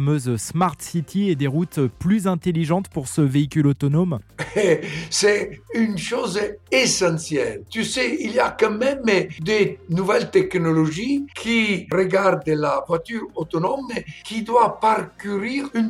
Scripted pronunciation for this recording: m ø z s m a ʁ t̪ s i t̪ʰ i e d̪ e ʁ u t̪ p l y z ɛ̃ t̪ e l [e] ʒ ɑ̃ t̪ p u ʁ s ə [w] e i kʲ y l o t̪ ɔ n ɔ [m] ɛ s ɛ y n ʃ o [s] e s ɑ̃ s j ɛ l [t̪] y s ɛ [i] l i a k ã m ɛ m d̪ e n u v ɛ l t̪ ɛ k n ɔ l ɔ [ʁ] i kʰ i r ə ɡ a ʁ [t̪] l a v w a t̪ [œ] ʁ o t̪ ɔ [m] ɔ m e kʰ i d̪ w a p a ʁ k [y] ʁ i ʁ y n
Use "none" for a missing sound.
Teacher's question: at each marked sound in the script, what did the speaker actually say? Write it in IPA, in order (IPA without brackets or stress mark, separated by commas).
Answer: i, v, m, z, t̪, i, ʒ, d̪, y, n, y